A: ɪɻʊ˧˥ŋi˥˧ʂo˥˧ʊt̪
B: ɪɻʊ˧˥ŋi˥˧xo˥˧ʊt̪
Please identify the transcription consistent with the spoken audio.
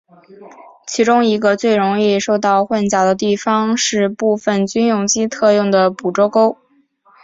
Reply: A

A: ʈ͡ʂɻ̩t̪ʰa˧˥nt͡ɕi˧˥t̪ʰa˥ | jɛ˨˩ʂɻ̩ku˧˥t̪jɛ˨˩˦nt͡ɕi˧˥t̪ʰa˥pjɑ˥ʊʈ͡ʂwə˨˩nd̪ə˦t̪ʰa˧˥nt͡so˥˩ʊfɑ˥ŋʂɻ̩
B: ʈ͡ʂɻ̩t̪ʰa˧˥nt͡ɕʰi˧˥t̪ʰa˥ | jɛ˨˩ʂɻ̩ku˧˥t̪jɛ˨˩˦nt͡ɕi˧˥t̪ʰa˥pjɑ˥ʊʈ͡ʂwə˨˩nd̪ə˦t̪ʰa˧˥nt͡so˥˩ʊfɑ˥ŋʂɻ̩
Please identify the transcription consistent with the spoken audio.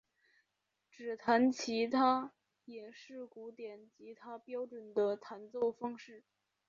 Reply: B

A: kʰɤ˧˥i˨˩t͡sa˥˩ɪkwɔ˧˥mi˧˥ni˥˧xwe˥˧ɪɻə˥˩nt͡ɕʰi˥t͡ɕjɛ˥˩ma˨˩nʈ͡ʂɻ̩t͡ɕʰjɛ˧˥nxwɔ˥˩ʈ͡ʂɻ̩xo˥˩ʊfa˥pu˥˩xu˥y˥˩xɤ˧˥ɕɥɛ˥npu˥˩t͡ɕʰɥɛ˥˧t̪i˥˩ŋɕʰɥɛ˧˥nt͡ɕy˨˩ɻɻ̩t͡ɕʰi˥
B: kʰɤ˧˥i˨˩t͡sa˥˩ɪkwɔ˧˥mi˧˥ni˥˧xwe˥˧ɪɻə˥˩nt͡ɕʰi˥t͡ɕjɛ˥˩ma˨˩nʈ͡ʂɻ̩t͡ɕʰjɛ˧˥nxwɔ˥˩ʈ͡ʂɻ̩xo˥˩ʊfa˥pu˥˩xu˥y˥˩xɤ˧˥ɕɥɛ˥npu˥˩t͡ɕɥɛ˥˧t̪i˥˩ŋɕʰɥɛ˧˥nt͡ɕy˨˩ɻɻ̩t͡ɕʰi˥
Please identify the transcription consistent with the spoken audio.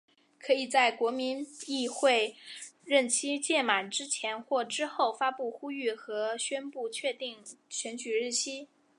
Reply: A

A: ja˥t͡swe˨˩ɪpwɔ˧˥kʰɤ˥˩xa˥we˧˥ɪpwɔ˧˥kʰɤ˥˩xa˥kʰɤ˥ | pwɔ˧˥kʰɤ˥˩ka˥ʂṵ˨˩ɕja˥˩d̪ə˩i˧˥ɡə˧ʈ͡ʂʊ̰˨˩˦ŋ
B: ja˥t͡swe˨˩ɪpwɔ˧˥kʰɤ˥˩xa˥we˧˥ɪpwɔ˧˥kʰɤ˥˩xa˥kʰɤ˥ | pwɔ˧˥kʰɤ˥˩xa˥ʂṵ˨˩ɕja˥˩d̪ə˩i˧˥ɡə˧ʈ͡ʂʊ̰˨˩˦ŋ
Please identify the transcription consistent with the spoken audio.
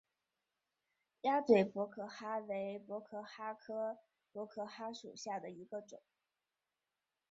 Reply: B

